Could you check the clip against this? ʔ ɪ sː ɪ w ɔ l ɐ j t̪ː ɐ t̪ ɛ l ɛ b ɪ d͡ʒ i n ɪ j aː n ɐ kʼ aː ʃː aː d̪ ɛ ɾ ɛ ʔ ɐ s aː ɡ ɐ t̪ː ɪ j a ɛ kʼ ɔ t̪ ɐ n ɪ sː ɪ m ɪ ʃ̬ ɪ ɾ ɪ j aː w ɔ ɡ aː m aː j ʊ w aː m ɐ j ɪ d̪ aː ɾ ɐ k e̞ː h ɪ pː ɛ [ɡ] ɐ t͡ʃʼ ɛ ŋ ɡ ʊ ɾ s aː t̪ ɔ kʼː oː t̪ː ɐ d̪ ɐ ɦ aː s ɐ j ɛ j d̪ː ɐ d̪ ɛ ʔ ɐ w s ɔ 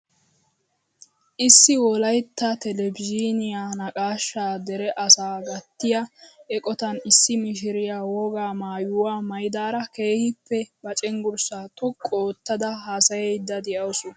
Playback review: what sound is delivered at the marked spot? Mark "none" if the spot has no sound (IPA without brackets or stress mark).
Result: b